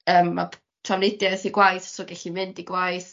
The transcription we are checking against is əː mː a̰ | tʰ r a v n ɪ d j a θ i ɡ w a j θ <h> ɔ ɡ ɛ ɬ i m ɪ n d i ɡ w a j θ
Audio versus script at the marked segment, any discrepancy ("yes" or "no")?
yes